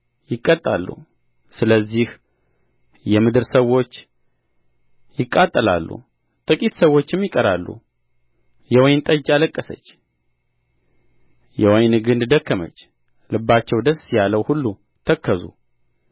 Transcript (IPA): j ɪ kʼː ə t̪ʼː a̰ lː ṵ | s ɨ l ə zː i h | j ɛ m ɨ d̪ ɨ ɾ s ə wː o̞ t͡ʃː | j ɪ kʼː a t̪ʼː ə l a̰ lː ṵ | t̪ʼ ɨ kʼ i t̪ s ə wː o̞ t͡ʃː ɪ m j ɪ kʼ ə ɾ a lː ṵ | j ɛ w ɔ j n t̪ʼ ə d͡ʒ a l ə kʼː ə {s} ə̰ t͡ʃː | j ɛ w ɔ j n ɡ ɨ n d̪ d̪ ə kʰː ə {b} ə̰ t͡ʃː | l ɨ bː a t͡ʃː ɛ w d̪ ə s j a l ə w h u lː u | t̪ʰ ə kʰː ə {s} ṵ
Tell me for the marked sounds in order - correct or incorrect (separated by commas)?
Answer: correct, incorrect, incorrect